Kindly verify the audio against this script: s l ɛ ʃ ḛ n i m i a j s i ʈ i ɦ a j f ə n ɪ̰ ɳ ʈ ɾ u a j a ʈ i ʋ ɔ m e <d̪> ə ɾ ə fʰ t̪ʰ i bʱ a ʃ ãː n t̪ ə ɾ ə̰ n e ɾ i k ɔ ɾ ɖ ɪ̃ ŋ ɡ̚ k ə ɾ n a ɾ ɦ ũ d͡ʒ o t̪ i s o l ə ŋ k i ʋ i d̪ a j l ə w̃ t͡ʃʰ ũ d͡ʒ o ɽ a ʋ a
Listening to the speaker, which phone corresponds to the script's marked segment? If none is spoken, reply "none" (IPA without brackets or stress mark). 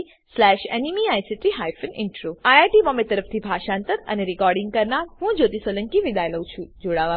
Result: t̪